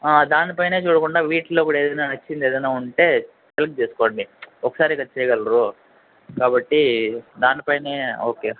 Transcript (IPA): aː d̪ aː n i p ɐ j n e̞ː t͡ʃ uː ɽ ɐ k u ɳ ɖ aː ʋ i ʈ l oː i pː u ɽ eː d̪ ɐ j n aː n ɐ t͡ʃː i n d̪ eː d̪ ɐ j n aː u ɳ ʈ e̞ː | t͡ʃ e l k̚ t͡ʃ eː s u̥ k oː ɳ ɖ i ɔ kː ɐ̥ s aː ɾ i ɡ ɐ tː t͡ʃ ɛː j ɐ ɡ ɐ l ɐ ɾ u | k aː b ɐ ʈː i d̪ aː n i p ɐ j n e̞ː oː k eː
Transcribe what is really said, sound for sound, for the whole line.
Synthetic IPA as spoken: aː d̪ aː n i p ɐ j n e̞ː t͡ʃ uː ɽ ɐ k u ɳ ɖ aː ʋ iː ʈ l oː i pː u ɽ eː d̪ ɐ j n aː n ɐ t͡ʃː i n d̪ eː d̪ ɐ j n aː u ɳ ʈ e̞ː | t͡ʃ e l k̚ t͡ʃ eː s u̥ k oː ɳ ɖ i ɔ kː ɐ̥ s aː ɾ i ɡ ɐ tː t͡ʃ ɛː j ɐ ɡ ɐ l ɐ ɾ u | k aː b ɐ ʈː i d̪ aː n i p ɐ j n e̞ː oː k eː